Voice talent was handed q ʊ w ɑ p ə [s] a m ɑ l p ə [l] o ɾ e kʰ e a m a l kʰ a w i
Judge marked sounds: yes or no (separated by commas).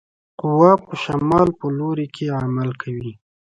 no, yes